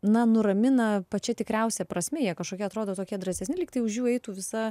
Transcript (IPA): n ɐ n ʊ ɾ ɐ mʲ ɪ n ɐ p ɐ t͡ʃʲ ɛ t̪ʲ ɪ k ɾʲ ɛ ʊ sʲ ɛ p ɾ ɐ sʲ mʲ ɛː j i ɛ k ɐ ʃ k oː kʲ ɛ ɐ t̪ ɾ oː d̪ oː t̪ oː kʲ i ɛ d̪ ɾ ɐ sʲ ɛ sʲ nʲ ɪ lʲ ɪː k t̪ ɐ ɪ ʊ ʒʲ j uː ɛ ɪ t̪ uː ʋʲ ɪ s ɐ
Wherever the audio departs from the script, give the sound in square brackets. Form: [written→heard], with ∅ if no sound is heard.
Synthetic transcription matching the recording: n ɐ n ʊ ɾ ɐ mʲ ɪ n ɐ p ɐ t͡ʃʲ ɛ t̪ʲ ɪ k ɾʲ ɛ ʊ sʲ ɛ p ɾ ɐ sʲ mʲ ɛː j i ɛ k ɐ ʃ k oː kʲ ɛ ɐ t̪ ɾ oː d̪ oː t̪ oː kʲ i ɛ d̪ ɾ ɐ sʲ ɛ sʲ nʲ ɪ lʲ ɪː k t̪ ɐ ɪ ʊ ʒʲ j uː ɛ ɪ t̪ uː ʋʲ ɪ s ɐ

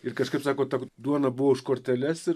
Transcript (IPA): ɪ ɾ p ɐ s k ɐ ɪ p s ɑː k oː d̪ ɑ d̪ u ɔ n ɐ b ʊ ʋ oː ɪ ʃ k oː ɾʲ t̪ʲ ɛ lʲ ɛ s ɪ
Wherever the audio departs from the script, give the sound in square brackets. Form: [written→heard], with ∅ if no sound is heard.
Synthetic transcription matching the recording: ɪ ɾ [p→k] ɐ [s→ʃ] k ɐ ɪ p s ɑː k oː [d̪→t̪] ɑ d̪ u ɔ n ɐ b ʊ ʋ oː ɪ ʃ k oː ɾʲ t̪ʲ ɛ lʲ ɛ s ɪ

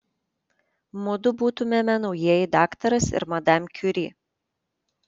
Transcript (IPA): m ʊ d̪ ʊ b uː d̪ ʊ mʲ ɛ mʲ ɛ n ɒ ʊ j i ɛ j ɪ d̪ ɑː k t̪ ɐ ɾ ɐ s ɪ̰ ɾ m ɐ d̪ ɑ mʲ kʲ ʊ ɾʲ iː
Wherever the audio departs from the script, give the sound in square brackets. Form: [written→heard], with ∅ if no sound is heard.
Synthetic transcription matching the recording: m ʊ d̪ ʊ b uː [d̪→t̪] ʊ mʲ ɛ mʲ ɛ n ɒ ʊ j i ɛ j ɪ d̪ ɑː k t̪ ɐ ɾ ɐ s ɪ̰ ɾ m ɐ d̪ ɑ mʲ kʲ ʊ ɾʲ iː

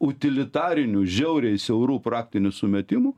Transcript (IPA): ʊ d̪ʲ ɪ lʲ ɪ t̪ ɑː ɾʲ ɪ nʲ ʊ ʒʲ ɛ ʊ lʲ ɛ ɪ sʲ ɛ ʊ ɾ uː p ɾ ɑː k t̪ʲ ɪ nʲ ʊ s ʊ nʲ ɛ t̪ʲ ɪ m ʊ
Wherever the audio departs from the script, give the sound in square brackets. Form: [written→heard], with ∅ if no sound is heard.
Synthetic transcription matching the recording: ʊ [d̪ʲ→t̪ʲ] ɪ lʲ ɪ t̪ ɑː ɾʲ ɪ nʲ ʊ ʒʲ ɛ ʊ [lʲ→ɾʲ] ɛ ɪ sʲ ɛ ʊ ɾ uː p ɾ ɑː k t̪ʲ ɪ nʲ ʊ s ʊ [nʲ→mʲ] ɛ t̪ʲ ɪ m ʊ

